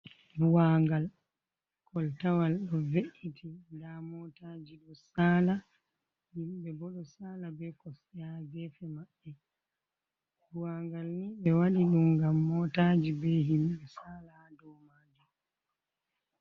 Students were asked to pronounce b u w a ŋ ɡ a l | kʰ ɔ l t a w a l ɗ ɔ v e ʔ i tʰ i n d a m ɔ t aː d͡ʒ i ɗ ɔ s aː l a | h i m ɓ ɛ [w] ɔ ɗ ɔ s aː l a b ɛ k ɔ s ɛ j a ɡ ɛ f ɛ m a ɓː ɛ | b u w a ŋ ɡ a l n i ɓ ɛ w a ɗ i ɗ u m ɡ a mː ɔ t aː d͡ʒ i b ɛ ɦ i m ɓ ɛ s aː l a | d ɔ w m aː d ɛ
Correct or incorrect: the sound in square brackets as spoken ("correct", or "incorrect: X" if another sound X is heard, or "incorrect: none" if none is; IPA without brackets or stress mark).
incorrect: b